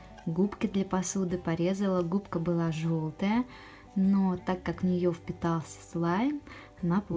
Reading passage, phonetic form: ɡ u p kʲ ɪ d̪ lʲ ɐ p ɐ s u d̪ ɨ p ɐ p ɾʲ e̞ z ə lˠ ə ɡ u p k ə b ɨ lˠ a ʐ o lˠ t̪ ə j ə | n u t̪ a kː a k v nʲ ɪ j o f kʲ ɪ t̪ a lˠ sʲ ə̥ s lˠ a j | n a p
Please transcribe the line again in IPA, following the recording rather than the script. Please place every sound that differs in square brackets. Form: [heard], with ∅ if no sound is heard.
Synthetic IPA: ɡ u p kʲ ɪ d̪ lʲ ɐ p ɐ s u d̪ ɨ p ɐ [∅] ɾʲ e̞ z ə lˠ ə ɡ u p k ə b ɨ lˠ a ʐ o lˠ t̪ ə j ə | n [o] t̪ a kː a k v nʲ ɪ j o f [pʲ] ɪ t̪ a lˠ sʲ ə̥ s lˠ a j | n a p